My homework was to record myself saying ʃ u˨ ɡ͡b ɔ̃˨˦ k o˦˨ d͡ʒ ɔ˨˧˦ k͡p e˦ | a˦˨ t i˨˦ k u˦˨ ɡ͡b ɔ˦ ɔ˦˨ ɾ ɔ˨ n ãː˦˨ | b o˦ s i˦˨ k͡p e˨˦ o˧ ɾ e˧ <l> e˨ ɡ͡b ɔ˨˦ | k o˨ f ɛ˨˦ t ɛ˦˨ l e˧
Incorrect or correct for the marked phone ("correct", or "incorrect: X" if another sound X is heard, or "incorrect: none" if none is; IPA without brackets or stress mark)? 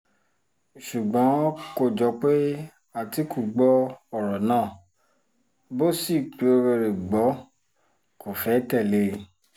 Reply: incorrect: ɾ